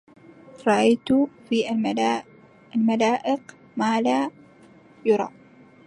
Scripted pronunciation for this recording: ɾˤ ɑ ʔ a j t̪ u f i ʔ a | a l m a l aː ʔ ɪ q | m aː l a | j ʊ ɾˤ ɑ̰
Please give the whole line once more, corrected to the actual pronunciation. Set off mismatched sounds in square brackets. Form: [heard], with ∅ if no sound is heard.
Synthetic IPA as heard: ɾˤ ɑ ʔ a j t̪ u f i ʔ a | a l m a l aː ʔ ɪ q | m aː l a | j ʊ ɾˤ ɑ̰